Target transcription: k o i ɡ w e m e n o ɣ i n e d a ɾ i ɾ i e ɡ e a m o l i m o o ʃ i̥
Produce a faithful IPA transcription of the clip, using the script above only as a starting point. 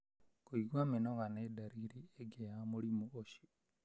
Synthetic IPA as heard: k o i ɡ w a m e n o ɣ a n e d a ɾ i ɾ i e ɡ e a m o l i m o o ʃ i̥